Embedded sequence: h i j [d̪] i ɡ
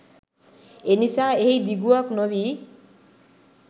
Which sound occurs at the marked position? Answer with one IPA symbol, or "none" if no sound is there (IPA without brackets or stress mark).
d̪